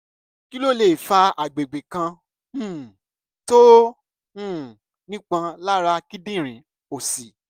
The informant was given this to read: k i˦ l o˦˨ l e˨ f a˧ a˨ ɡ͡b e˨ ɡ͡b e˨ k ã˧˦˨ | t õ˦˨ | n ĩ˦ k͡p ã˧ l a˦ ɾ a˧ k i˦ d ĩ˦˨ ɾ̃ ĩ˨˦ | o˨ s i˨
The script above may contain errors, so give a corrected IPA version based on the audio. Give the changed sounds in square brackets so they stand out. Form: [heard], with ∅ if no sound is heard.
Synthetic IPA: k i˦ l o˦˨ l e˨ f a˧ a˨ ɡ͡b e˨ ɡ͡b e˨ k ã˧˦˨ | t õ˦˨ | n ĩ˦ k͡p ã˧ l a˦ ɾ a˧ k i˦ d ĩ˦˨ ɾ̃ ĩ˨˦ | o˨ s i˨